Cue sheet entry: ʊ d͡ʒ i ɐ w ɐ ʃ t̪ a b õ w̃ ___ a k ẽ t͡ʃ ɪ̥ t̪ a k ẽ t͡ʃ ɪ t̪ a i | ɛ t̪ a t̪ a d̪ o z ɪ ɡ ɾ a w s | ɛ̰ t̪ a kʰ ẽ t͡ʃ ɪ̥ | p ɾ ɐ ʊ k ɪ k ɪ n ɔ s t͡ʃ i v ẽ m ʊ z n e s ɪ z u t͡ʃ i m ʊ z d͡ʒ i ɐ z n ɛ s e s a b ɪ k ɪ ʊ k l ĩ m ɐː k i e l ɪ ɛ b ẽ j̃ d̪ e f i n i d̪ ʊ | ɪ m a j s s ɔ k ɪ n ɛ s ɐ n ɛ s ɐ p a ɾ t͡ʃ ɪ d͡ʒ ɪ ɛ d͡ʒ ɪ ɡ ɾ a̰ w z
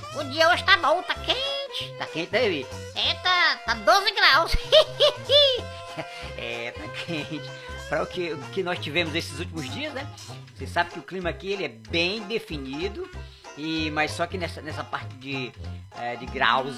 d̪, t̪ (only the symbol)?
t̪